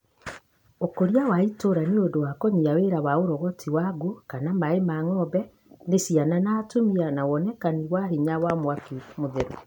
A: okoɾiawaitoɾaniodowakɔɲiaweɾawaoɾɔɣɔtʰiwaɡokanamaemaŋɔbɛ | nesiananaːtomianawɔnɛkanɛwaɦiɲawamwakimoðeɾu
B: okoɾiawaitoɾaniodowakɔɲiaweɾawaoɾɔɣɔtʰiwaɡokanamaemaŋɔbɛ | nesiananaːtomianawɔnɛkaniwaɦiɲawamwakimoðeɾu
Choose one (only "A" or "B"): B